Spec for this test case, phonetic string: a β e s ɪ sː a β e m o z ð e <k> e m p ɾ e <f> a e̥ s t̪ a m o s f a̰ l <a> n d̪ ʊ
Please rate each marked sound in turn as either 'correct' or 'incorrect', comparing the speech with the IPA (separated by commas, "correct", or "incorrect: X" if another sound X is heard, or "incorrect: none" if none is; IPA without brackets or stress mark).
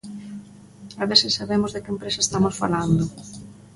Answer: correct, incorrect: s, correct